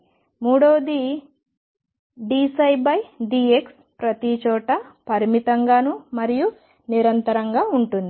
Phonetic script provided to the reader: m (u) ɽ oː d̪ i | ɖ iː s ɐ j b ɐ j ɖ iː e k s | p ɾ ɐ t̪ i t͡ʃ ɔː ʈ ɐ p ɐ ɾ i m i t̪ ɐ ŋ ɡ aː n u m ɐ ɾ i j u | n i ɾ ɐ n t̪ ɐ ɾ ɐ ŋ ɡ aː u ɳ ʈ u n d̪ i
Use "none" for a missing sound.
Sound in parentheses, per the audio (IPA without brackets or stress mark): uː